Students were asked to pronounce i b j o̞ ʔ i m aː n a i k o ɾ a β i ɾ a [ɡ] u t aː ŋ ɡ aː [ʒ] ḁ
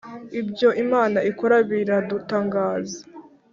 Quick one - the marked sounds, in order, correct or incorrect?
incorrect, incorrect

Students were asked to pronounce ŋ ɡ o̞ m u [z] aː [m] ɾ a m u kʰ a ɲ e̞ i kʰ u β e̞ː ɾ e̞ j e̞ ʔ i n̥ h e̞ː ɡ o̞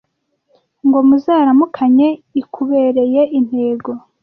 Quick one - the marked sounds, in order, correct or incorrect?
correct, incorrect

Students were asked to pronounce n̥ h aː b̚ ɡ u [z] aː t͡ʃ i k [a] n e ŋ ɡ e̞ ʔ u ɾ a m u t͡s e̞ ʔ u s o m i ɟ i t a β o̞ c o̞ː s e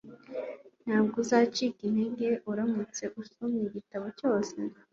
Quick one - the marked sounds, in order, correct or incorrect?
correct, incorrect

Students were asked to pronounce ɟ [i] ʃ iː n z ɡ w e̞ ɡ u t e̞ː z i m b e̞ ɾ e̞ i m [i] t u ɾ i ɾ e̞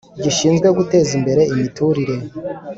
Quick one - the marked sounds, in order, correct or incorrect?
correct, correct

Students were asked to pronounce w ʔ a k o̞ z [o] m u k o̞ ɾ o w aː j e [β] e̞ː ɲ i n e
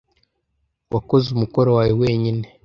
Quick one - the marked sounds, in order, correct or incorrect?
incorrect, incorrect

